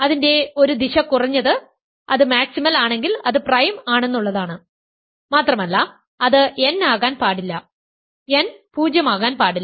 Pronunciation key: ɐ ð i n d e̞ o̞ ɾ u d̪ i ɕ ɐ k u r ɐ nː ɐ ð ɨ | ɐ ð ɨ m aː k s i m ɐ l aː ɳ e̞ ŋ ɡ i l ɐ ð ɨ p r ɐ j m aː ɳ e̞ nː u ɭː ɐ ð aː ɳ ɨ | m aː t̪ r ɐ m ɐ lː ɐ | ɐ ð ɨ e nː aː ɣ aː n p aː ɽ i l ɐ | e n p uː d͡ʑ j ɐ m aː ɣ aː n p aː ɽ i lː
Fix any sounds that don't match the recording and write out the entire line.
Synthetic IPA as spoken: ɐ ð i n d e̞ o̞ ɾ u d̪ i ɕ ɐ k u r ɐ ɲː ɐ ð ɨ | ɐ ð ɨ m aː k s i m ɐ l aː ɳ e̞ ŋ ɡ i l ɐ ð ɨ p r ɐ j m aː ɳ e̞ nː u ɭː ɐ ð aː ɳ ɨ | m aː t̪ r ɐ m ɐ lː ɐ | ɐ ð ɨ e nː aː ɣ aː n p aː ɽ i lː ɐ | e n p uː d͡ʑ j ɐ m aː ɣ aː n p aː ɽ i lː